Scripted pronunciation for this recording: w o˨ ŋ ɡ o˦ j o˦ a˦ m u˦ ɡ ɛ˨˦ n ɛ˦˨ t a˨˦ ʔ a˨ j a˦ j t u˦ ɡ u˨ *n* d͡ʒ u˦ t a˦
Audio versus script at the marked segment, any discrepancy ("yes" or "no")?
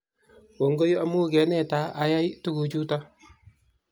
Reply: yes